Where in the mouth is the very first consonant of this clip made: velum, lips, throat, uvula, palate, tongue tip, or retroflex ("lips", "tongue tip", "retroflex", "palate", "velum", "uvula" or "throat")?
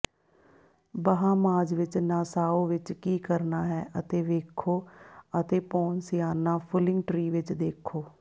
lips